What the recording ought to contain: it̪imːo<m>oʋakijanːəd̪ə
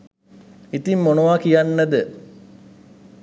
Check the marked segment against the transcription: incorrect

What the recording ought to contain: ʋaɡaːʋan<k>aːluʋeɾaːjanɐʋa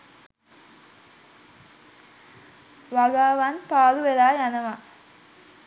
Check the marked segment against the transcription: incorrect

